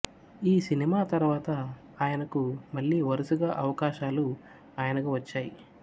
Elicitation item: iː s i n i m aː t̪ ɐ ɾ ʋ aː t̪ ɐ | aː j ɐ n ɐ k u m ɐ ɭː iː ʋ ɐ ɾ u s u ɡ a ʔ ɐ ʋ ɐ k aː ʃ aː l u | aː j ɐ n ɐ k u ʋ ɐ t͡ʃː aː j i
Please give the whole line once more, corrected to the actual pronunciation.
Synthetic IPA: iː s i n i m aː t̪ ɐ ɾ ʋ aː t̪ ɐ | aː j ɐ n ɐ k u m ɐ ɭː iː ʋ ɐ ɾ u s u ɡ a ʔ ɐ ʋ ɐ k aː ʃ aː l u | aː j ɐ n ɐ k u ʋ ɐ t͡ʃː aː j i

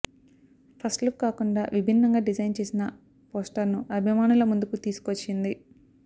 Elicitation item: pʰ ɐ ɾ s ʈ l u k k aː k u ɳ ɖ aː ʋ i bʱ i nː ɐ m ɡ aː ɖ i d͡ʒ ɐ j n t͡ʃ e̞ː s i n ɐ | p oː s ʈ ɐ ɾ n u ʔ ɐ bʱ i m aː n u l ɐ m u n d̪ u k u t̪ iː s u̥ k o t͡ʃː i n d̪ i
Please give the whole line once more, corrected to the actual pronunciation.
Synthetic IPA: pʰ ɐ s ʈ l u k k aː k u ɳ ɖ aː ʋ i bʱ i nː ɐ ŋ ɡ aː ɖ i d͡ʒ ɐ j n t͡ʃ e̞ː s i n ɐ | p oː s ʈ ɐ ɾ n u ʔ ɐ bʱ i m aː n u l ɐ m u n d̪ u k u t̪ iː s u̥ k o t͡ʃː i n d̪ i

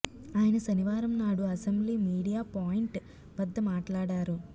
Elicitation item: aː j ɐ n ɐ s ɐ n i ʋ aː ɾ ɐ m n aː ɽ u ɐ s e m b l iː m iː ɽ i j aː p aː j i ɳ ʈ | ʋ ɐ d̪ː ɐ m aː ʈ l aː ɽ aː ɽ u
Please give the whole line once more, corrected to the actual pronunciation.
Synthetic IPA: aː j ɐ n ɐ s ɐ n i ʋ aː ɾ ɐ m n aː ɽ u ɐ s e m b l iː m iː ɽ i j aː p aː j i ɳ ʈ | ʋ ɐ d̪ː ɐ m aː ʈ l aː ɽ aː ɾ u

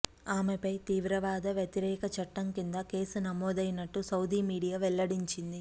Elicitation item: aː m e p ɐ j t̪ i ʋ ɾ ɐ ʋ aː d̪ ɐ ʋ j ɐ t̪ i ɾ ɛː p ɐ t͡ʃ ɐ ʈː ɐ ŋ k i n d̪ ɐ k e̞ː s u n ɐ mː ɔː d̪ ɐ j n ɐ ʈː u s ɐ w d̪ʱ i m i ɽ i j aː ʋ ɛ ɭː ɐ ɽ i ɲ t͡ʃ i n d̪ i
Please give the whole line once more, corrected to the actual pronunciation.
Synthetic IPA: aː m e p ɐ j t̪ iː ʋ ɾ ɐ ʋ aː d̪ ɐ ʋ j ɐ t̪ i ɾ ɛː k ɐ t͡ʃ ɐ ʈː ɐ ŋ k i n d̪ ɐ k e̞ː s u n ɐ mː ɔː d̪ ɐ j n ɐ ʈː u s ɐ w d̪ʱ i m iː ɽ i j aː ʋ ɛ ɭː ɐ ɽ i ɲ t͡ʃ i n d̪ i

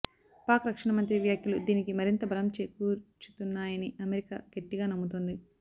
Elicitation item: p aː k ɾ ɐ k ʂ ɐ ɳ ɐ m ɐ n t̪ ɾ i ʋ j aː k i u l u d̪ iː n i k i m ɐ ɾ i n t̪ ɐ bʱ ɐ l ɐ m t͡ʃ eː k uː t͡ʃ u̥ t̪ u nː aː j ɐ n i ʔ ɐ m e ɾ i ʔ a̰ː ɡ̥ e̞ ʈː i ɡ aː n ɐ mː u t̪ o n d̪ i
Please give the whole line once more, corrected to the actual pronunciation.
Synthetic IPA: p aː k ɾ ɐ k ʂ ɐ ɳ ɐ m ɐ n t̪ ɾ i ʋ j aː k j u l u d̪ iː n i k i m ɐ ɾ i n t̪ ɐ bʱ ɐ l ɐ m t͡ʃ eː k uː t͡ʃ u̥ t̪ u nː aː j ɐ n i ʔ ɐ m e ɾ i k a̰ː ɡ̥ e̞ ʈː i ɡ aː n ɐ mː u t̪ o n d̪ i

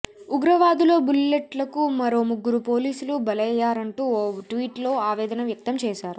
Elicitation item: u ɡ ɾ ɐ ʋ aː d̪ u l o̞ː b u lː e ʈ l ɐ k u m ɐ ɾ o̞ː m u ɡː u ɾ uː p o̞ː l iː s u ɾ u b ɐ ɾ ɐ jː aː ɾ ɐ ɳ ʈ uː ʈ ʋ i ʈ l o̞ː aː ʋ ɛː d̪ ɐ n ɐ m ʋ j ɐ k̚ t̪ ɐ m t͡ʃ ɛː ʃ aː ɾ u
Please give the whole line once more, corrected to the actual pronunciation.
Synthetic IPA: u ɡ ɾ ɐ ʋ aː d̪ u l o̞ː b u lː e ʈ l ɐ k u m ɐ ɾ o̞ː m u ɡː u ɾ u p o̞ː l iː s u l u b ɐ l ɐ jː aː ɾ ɐ ɳ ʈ uː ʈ ʋ iː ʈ l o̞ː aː ʋ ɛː d̪ ɐ n ɐ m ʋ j ɐ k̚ t̪ ɐ m t͡ʃ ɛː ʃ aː ɾ u

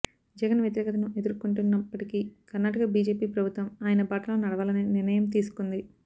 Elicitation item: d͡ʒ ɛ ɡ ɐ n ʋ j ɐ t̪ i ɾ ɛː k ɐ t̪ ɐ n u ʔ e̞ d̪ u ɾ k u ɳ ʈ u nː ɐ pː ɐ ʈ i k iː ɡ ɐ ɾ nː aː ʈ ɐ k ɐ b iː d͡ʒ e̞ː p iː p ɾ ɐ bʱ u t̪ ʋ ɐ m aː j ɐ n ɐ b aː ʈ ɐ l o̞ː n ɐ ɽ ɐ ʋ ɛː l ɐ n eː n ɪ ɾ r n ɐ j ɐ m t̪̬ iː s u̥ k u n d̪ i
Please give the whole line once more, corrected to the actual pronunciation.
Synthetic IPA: d͡ʒ ɛ ɡ ɐ n ʋ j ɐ t̪ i ɾ ɛː k ɐ t̪ ɐ n u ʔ e̞ d̪ u ɾ k u ɳ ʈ u nː ɐ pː ɐ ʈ i k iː k ɐ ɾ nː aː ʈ ɐ k ɐ b iː d͡ʒ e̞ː p iː p ɾ ɐ bʱ u t̪ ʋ ɐ m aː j ɐ n ɐ b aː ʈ ɐ l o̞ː n ɐ ɽ ɐ ʋ aː l ɐ n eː n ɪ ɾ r n ɐ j ɐ m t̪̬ iː s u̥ k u n d̪ i

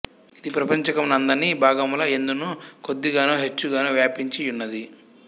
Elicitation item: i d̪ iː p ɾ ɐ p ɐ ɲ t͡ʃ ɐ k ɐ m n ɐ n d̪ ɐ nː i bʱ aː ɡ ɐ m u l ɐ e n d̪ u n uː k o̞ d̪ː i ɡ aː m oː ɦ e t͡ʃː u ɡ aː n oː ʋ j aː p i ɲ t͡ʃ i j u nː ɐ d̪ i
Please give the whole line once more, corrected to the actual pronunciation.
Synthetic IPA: i d̪ i p ɾ ɐ p ɐ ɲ t͡ʃ ɐ k ɐ m n ɐ n d̪ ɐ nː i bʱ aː ɡ ɐ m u l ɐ e n d̪ u n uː k o̞ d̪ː i ɡ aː n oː ɦ e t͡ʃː u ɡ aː n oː ʋ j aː p i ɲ t͡ʃ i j u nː ɐ d̪ i

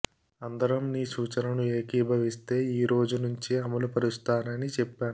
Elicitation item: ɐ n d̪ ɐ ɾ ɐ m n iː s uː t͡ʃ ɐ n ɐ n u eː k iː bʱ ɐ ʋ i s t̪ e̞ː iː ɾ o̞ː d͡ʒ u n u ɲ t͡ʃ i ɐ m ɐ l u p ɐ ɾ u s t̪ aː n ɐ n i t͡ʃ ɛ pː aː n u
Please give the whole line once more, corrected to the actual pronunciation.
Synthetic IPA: ɐ n d̪ ɐ ɾ ɐ m n iː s uː t͡ʃ ɐ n ɐ n u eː k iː bʱ ɐ ʋ i s t̪ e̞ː iː ɾ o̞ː d͡ʒ u n u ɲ t͡ʃ i ɐ m ɐ l u p ɐ ɾ u s t̪ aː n ɐ n i t͡ʃ ɛ pː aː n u

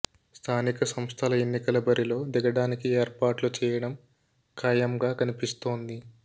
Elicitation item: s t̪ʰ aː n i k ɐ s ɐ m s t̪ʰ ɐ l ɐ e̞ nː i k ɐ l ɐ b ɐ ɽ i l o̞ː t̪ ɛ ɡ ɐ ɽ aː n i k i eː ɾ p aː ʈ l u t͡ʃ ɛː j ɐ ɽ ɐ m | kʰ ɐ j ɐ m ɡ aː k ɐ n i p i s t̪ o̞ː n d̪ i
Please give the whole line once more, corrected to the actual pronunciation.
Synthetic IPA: s t̪ʰ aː n i k ɐ s ɐ m s t̪ʰ ɐ l ɐ e̞ nː i k ɐ l ɐ b ɐ ɾ i l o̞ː d̪ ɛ ɡ ɐ ɽ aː n i k i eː ɾ p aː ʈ l u t͡ʃ ɛː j ɐ ɽ ɐ m | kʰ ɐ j ɐ m ɡ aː k ɐ n i p i s t̪ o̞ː n d̪ i

